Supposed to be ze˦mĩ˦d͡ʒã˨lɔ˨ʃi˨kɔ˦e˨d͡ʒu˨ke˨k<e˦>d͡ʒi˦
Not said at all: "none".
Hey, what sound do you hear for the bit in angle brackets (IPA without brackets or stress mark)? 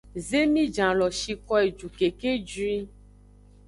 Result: e˦